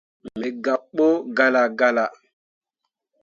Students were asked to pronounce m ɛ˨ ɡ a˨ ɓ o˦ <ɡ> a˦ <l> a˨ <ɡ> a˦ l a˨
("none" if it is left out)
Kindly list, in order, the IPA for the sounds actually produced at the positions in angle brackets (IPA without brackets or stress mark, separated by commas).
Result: ɡ, l, ɡ